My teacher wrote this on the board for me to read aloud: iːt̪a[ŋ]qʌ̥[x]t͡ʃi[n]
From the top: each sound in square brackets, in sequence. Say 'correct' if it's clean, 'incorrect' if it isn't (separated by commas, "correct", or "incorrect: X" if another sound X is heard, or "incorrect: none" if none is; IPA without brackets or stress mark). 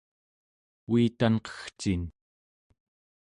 incorrect: n, correct, correct